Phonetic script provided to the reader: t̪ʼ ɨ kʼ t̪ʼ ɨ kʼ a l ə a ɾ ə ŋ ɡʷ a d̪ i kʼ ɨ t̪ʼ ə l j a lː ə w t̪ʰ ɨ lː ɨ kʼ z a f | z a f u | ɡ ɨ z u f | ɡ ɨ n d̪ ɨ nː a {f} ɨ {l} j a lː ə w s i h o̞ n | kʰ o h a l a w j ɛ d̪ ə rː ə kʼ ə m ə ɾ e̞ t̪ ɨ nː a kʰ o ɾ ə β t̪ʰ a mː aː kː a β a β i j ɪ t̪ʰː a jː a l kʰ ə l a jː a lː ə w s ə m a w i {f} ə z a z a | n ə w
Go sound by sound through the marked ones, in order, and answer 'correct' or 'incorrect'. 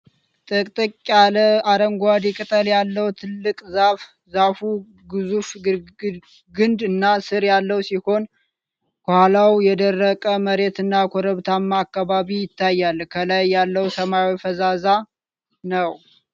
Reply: incorrect: s, incorrect: ɾ, correct

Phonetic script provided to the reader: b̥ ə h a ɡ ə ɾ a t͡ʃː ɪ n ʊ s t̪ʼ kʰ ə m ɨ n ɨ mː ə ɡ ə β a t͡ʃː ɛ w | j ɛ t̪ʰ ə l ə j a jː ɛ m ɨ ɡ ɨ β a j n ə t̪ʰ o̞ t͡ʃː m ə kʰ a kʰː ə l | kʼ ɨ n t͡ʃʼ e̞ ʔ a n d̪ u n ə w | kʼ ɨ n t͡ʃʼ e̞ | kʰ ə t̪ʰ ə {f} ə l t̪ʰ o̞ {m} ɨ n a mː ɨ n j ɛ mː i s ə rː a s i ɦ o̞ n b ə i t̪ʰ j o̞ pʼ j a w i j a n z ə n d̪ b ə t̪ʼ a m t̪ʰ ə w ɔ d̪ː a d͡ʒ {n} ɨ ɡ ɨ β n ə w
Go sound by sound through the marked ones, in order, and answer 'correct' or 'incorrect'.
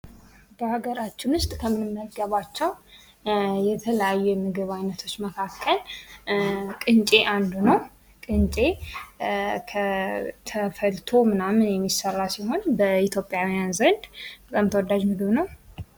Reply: correct, correct, incorrect: m

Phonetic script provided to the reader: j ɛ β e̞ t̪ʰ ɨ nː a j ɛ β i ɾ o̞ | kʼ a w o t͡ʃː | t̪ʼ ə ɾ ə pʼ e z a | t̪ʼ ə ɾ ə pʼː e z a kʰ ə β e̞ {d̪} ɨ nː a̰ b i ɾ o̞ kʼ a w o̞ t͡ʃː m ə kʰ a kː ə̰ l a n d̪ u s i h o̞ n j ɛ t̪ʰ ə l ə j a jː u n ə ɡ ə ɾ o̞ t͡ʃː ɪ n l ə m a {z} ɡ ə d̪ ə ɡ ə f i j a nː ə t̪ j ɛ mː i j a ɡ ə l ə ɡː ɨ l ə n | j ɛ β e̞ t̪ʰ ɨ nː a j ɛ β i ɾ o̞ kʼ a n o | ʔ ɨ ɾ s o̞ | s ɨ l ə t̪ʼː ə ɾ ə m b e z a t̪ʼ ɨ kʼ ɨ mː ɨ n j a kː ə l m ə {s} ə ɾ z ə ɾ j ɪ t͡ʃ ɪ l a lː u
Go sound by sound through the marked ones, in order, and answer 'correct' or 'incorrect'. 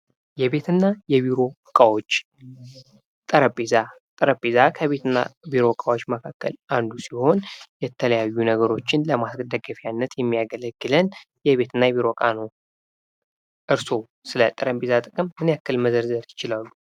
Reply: incorrect: t̪, incorrect: s, incorrect: z

